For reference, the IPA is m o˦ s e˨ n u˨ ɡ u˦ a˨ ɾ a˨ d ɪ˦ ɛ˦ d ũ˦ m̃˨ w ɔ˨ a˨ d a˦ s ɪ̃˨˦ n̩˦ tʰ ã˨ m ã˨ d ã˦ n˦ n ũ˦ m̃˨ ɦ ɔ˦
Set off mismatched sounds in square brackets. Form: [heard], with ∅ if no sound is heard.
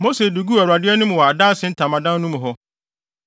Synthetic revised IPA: m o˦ s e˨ [d] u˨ ɡ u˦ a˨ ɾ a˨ d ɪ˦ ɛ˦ [n] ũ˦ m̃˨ w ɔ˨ a˨ d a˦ s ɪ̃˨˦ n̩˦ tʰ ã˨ m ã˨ d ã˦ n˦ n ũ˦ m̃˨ ɦ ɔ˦

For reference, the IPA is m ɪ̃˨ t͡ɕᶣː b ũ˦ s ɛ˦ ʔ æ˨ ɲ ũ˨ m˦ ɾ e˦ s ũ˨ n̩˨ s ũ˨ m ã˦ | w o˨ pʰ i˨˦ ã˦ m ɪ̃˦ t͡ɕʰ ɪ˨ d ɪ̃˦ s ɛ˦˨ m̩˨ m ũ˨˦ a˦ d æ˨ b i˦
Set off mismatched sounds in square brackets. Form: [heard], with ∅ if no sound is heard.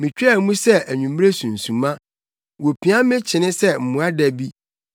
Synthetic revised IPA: m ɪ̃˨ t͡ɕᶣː [m] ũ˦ s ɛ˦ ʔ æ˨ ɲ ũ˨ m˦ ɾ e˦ s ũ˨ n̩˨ s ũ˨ m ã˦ | w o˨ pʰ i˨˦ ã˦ m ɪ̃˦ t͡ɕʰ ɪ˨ [n] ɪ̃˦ s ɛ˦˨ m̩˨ m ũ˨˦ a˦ d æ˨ b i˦

